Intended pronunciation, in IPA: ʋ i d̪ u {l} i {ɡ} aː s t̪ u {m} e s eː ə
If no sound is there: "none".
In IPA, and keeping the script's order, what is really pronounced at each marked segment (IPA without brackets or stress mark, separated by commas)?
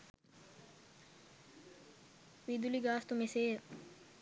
l, ɡ, m